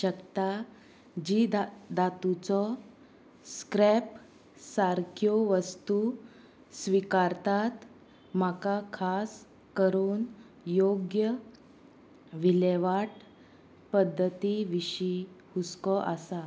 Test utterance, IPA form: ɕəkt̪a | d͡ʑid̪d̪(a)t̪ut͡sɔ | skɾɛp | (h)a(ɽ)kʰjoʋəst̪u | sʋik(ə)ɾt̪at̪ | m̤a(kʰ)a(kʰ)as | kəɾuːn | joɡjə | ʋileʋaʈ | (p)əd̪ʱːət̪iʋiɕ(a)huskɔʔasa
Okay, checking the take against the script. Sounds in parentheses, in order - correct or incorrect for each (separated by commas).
correct, incorrect, incorrect, incorrect, incorrect, correct, correct, incorrect